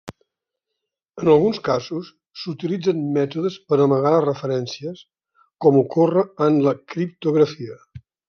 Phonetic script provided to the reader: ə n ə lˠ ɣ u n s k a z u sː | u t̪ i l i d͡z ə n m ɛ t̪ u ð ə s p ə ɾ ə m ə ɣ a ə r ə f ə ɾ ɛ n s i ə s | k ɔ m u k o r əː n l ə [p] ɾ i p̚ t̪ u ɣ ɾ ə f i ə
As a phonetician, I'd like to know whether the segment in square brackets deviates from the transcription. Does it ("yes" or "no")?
yes